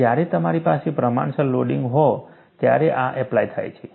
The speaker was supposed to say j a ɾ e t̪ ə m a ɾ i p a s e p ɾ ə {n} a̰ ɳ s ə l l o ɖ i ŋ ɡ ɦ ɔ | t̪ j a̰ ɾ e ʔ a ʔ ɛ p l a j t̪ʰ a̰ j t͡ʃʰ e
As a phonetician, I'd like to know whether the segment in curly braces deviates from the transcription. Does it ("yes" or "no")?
yes